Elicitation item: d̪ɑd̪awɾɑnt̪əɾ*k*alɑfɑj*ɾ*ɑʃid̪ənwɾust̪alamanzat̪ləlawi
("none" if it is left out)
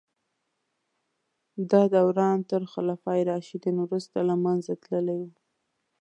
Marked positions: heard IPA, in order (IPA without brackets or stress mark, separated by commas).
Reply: x, ɾ